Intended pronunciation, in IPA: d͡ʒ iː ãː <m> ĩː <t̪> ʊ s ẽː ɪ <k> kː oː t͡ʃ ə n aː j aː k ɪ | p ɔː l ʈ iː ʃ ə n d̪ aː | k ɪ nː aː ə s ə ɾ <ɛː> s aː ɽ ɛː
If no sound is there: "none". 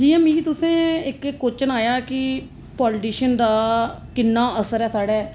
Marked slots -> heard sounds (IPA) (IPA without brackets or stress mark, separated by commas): m, t̪, k, ɛː